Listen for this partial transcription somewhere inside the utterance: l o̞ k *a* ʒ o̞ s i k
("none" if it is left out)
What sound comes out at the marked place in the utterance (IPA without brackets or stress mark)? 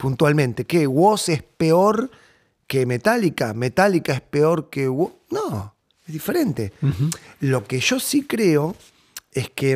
e